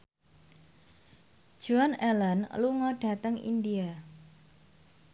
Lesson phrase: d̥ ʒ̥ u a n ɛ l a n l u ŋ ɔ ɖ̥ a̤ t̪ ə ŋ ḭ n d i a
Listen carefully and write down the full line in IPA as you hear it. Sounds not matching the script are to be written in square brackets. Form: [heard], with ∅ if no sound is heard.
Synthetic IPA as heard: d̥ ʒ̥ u a n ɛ l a n l u ŋ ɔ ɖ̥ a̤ t̪ ə ŋ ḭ n d i a